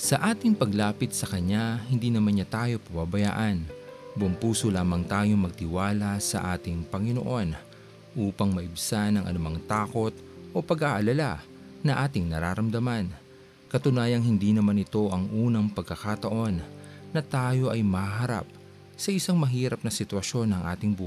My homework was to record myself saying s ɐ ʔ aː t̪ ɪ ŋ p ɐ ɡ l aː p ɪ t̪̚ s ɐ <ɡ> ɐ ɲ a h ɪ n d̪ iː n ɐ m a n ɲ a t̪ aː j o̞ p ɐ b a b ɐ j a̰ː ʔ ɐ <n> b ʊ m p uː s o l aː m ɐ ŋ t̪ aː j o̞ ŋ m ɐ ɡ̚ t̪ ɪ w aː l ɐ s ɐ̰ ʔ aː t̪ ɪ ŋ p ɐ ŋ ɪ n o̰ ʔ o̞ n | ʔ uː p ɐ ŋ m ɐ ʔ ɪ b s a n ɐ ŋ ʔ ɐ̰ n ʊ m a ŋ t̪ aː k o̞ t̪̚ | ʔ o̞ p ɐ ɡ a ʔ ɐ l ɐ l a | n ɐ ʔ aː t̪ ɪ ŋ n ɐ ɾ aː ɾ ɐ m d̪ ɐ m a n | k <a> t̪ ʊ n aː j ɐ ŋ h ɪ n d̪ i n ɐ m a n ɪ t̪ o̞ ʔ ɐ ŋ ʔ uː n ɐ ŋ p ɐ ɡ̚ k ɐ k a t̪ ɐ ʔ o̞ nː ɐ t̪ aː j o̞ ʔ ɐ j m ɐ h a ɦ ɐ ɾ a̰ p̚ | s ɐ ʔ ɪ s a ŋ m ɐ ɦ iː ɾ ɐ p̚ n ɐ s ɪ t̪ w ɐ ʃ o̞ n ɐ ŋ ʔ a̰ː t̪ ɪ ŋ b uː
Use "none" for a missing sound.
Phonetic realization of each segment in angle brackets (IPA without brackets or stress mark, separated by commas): k, n, ɐ